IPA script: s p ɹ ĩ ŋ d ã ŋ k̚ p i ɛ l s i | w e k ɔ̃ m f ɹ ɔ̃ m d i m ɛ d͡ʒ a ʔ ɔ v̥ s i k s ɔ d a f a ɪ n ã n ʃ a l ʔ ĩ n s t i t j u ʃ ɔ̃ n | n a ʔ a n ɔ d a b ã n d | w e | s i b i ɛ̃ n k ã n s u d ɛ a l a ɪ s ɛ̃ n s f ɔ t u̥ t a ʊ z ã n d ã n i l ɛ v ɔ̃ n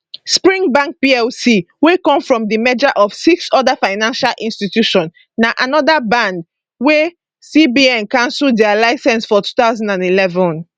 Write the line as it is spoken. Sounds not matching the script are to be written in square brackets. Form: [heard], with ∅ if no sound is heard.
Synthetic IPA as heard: s p ɹ ĩ ŋ [b] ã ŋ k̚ p i ɛ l s i | w e k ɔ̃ m f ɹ ɔ̃ m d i m ɛ d͡ʒ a ʔ ɔ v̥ s i k s ɔ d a f a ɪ n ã n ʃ a l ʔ ĩ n s t i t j u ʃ ɔ̃ n | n a ʔ a n ɔ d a b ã n d | w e | s i b i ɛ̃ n k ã n s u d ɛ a l a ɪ s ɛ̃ n s f ɔ t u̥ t a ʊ z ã n d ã n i l ɛ v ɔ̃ n